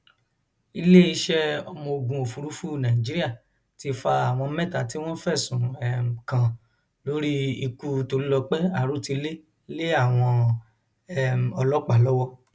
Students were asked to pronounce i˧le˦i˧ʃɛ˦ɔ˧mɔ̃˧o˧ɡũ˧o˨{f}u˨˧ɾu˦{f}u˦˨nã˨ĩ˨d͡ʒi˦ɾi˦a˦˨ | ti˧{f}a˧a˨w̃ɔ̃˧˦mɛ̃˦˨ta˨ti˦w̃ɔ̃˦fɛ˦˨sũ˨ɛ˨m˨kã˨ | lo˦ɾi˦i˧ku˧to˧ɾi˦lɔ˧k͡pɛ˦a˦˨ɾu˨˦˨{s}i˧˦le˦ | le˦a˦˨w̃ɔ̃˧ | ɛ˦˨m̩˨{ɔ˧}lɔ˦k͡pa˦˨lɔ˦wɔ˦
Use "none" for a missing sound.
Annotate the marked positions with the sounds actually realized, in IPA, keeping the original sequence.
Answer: f, f, f, t, ɔ˧

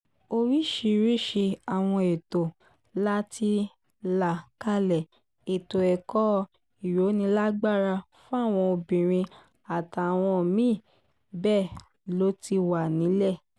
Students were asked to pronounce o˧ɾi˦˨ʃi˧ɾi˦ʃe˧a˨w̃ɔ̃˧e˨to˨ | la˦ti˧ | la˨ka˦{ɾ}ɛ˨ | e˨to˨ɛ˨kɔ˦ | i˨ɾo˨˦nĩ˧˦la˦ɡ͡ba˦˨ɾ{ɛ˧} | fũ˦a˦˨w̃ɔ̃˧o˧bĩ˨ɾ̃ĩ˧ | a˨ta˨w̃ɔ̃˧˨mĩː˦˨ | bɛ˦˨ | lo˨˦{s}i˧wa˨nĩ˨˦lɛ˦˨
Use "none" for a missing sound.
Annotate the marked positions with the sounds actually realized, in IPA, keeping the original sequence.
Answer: l, a˧, t

